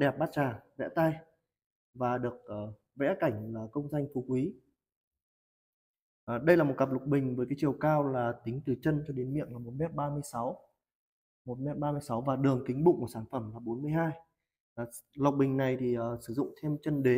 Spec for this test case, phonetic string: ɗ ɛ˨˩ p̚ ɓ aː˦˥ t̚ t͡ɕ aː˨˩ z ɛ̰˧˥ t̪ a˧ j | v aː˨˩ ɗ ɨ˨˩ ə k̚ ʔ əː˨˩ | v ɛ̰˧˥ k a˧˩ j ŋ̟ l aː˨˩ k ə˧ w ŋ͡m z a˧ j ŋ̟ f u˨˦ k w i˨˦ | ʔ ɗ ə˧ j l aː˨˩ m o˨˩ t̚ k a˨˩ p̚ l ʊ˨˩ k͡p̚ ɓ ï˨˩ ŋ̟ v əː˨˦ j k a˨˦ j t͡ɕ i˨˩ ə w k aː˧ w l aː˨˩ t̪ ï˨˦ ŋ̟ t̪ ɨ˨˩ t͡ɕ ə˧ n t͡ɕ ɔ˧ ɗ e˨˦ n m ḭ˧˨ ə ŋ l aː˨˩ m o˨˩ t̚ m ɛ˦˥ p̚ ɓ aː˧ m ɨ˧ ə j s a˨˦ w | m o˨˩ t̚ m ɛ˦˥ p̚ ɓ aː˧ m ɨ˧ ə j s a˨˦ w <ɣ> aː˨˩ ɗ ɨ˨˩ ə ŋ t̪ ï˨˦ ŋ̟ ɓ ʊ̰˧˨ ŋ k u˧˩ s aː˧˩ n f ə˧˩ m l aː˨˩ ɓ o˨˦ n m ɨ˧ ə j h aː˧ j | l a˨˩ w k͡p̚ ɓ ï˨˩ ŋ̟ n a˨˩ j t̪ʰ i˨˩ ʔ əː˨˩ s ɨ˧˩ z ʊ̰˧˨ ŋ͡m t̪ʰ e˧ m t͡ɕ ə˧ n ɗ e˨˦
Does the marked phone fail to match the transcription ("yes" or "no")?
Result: yes